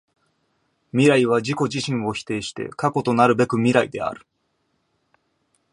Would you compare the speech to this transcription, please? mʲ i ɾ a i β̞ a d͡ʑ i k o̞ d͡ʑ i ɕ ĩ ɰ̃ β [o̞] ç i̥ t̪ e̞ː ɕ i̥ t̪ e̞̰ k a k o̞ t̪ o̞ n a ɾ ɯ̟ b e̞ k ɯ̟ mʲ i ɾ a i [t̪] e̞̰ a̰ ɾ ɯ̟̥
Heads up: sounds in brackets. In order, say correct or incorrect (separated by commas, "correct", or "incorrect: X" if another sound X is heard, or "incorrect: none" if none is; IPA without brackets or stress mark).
correct, incorrect: d̪